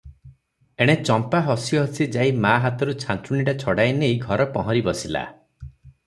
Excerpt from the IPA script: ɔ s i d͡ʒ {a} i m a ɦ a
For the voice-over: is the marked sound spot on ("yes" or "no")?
yes